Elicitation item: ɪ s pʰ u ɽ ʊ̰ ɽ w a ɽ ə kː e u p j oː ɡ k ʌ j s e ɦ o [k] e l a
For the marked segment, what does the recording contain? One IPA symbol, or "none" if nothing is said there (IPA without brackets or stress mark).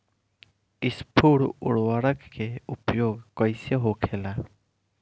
kʰ